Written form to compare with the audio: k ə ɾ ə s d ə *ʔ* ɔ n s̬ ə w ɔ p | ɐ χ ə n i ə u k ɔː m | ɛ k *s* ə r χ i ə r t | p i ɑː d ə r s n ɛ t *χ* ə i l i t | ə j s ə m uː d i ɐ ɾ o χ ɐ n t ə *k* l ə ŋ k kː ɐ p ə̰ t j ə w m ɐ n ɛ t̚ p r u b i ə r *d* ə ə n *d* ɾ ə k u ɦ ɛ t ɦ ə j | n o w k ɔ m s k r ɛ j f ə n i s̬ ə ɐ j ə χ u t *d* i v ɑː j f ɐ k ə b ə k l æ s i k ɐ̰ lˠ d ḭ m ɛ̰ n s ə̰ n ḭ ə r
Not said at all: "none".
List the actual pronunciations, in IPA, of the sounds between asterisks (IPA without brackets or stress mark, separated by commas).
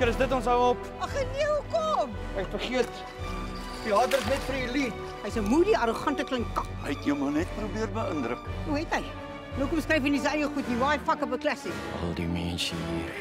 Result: t, f, f, k, b, d, n